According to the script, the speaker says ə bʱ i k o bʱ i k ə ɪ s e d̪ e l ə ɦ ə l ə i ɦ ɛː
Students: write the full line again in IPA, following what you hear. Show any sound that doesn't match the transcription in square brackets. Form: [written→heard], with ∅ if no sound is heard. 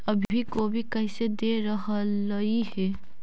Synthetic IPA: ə bʱ i k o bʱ i k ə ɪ s e d̪ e [l→ɾ] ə ɦ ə l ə i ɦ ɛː